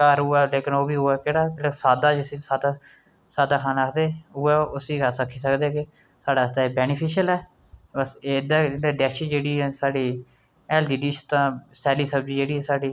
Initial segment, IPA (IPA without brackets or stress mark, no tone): k